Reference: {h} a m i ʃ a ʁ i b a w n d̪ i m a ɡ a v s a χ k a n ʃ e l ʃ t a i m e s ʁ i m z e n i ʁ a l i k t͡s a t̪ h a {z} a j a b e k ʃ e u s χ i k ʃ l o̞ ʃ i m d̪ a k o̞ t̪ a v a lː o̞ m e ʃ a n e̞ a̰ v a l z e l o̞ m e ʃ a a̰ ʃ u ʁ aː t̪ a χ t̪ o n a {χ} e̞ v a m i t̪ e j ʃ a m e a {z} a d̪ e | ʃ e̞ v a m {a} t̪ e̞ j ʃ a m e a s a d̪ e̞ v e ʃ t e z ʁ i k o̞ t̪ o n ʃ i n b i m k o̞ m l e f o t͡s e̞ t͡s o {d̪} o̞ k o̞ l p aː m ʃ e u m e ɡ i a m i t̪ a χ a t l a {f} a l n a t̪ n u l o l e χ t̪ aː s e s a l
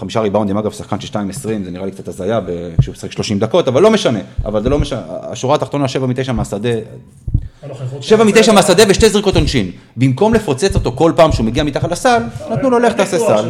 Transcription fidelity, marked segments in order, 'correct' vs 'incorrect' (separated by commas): incorrect, correct, incorrect, incorrect, incorrect, incorrect, incorrect